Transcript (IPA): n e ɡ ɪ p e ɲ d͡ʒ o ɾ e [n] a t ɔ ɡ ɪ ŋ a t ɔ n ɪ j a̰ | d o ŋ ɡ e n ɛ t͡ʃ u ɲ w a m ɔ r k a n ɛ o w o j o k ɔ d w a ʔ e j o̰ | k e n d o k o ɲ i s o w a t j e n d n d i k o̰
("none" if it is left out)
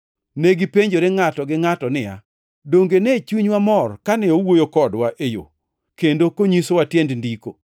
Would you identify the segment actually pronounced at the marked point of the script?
ŋ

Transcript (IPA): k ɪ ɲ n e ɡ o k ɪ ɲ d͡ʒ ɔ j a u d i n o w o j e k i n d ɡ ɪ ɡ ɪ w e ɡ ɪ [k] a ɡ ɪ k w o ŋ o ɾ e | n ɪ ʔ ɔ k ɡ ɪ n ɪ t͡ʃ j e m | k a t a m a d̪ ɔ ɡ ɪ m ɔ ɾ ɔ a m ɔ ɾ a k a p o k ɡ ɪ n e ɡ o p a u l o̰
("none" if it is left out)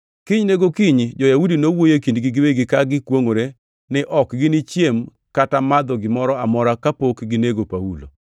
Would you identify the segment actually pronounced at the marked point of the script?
k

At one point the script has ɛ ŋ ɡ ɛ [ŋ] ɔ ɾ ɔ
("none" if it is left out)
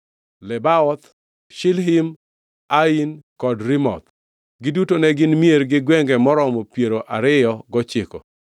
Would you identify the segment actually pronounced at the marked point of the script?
m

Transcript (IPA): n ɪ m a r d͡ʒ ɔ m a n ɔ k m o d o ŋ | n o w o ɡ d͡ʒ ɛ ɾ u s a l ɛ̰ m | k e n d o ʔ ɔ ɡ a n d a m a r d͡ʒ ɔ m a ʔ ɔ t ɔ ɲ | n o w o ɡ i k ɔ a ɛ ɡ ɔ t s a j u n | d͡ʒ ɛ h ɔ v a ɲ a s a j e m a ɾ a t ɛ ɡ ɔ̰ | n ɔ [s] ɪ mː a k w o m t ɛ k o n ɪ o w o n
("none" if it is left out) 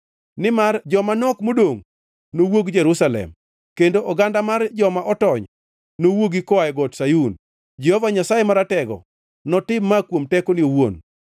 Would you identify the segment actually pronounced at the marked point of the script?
t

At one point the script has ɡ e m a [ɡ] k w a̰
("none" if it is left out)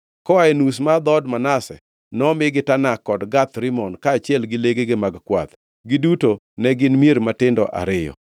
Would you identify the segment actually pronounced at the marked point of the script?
ɡ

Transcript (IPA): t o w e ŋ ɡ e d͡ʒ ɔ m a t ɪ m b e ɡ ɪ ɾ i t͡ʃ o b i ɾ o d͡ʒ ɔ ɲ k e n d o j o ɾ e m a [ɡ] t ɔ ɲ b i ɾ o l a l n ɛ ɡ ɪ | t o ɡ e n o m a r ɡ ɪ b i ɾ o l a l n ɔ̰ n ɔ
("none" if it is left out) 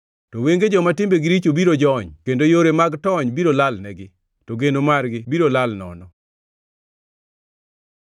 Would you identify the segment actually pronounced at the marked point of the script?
ɡ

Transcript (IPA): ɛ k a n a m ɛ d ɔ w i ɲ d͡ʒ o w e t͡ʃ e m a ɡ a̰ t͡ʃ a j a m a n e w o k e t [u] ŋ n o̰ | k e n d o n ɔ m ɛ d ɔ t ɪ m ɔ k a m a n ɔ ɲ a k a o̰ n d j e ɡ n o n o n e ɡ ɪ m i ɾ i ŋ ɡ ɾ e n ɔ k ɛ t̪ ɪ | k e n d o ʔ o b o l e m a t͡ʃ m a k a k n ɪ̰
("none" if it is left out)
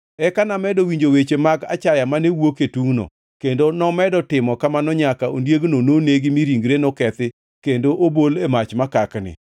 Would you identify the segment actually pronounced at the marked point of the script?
u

